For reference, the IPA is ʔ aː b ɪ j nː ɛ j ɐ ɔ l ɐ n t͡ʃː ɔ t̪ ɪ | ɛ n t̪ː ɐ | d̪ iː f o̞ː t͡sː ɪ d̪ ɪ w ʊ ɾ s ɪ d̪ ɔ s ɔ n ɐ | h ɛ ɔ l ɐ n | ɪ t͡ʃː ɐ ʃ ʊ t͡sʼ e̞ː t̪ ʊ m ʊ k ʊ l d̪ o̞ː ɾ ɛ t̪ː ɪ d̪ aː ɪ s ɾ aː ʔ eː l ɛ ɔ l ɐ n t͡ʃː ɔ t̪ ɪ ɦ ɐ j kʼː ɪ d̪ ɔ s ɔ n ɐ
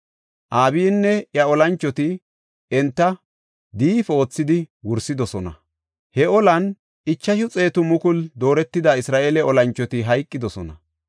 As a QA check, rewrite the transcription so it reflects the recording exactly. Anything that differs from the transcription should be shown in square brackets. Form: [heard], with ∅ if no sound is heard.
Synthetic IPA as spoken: ʔ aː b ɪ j nː ɛ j ɐ ɔ l ɐ n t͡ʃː ɔ t̪ ɪ | ɛ n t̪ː ɐ | d̪ iː f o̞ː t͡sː ɪ d̪ ɪ w ʊ ɾ s ɪ d̪ ɔ s ɔ n ɐ | h ɛ ɔ l ɐ n | ɪ t͡ʃː ɐ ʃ ʊ t͡sʼ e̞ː t̪ ʊ m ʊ k ʊ l d̪ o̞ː ɾ ɛ t̪ː ɪ d̪ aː ɪ s ɾ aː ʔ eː l ɛ ɔ l ɐ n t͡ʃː ɔ t̪ ɪ ɦ ɐ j kʼː ɪ d̪ ɔ s ɔ n ɐ